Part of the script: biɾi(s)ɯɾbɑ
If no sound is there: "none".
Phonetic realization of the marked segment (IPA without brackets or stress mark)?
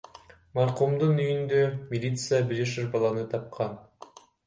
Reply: ʃ